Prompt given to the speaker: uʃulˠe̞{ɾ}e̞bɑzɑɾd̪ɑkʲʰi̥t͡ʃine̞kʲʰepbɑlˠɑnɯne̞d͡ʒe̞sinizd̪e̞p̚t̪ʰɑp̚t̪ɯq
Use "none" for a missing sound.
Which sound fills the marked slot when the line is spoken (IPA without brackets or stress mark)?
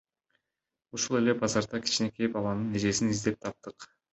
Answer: l